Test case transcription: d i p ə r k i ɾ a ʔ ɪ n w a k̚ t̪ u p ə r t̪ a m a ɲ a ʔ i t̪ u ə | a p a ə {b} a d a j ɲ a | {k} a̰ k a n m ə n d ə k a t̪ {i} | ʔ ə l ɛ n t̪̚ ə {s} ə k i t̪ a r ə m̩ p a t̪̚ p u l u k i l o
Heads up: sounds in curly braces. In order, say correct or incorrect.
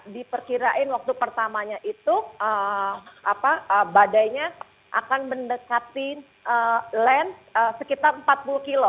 correct, incorrect, correct, correct

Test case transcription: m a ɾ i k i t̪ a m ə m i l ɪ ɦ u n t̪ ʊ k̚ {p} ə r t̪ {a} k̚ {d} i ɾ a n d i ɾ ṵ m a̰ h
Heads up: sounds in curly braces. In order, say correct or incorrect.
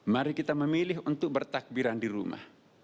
incorrect, correct, incorrect

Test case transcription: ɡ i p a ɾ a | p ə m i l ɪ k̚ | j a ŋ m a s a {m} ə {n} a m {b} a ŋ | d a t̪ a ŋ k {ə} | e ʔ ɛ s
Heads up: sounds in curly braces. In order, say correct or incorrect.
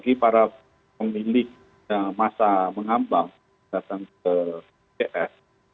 correct, incorrect, correct, correct

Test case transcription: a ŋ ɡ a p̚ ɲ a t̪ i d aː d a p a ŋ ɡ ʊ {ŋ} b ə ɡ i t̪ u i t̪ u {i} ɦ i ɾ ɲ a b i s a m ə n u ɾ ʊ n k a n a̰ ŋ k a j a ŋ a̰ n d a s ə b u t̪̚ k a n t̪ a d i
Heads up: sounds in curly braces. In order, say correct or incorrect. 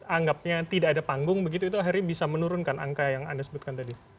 correct, incorrect

